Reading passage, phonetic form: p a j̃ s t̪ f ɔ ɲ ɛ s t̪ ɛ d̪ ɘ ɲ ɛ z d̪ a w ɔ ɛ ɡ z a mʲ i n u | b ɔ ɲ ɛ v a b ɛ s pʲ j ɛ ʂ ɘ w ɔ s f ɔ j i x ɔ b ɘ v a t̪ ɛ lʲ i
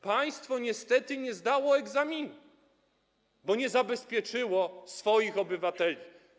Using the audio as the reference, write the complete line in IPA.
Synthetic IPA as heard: p a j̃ s t̪ f ɔ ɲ ɛ s t̪ ɛ t̪ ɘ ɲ ɛ z d̪ a w ɔ ɛ ɡ z a mʲ i n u | b ɔ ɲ ɛ z a b ɛ s pʲ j ɛ t͡ʂ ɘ w ɔ s f ɔ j i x ɔ b ɘ v a t̪ ɛ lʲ i